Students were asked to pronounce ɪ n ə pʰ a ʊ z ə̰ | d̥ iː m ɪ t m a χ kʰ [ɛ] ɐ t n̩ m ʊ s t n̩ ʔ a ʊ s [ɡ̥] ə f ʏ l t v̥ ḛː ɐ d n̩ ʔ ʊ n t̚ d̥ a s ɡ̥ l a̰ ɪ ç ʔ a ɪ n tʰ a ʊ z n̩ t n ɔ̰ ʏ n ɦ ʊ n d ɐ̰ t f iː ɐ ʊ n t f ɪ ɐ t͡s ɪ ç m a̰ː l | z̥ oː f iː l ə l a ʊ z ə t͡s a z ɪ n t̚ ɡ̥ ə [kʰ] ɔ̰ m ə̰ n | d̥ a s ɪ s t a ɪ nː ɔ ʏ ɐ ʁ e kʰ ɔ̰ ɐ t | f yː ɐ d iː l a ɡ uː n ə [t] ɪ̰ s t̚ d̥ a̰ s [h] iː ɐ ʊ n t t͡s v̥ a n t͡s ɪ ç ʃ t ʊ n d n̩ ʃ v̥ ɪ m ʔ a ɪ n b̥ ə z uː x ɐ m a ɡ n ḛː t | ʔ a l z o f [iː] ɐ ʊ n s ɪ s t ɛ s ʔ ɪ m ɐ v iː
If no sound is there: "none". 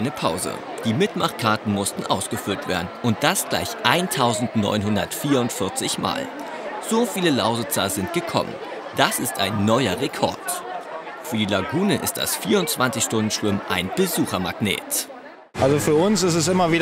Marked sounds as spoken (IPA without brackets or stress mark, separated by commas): a, ɡ̥, kʰ, ʔ, f, yː